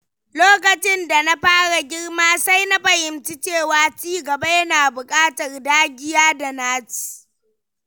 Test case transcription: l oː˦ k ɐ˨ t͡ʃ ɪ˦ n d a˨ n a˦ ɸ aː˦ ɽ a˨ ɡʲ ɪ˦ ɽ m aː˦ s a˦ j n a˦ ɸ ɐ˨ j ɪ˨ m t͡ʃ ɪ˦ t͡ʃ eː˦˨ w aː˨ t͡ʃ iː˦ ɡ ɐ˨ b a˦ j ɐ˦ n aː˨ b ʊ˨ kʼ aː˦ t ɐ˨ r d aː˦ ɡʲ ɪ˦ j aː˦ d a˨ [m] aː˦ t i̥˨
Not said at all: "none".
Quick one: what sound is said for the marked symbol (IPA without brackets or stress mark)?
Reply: n